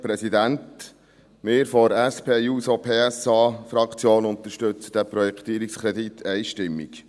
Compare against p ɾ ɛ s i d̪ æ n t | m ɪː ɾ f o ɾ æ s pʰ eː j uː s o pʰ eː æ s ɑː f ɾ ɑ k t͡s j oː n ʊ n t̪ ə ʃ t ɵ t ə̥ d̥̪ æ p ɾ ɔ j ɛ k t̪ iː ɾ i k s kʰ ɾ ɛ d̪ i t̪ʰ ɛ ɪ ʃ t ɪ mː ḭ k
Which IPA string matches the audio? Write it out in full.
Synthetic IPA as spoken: p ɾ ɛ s i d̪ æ n t | m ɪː ɾ f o ɾ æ s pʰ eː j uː s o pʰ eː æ s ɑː f ɾ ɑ k t͡s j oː n ʊ n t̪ ə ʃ t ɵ t͡s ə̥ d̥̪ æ p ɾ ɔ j ɛ k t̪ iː ɾ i k s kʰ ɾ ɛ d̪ i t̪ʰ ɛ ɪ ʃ t ɪ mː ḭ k